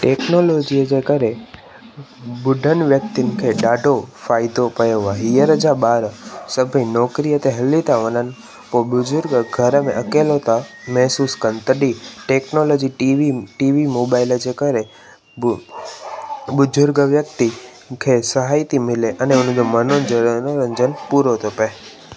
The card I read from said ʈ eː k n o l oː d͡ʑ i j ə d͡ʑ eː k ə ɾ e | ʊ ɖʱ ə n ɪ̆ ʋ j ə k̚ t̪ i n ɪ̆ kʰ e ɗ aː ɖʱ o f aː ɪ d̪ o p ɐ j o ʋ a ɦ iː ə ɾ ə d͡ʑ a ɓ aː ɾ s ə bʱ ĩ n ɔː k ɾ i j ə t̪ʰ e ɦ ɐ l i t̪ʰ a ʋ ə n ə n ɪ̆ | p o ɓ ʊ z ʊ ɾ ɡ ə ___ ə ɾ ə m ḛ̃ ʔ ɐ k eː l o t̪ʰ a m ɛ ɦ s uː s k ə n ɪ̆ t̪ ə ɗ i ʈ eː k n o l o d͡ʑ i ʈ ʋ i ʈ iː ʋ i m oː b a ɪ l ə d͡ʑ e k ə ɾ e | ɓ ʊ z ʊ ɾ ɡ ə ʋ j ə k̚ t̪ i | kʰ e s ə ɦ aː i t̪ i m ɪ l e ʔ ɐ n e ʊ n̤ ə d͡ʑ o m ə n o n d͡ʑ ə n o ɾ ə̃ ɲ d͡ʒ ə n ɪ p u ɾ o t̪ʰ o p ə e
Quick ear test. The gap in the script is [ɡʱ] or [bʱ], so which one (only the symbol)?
ɡʱ